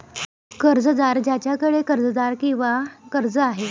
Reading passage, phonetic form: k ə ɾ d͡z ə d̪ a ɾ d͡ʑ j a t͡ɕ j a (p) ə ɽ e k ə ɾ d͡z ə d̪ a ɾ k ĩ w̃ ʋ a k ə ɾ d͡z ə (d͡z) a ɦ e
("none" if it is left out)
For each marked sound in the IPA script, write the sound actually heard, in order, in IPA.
k, none

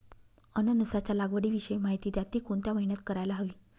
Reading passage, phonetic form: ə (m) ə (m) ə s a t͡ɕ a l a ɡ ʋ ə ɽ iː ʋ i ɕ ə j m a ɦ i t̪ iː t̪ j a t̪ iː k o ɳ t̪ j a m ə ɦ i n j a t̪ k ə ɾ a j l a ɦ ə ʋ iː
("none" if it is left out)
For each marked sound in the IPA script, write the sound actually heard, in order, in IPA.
n, n

